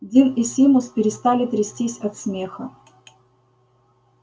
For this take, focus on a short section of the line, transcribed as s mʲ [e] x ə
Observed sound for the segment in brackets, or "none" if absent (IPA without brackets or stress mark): e